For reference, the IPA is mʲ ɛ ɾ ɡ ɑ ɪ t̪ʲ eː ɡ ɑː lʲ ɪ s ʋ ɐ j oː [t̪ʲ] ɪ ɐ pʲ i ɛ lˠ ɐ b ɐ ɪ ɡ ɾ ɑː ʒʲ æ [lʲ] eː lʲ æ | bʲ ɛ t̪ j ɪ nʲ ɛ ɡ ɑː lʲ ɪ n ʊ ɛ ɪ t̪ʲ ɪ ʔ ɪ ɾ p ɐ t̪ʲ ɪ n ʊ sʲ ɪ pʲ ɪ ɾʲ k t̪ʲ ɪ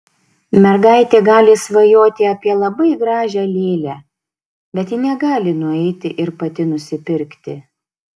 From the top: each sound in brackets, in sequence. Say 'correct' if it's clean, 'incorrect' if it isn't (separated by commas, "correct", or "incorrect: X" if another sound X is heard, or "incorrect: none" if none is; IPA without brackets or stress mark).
correct, correct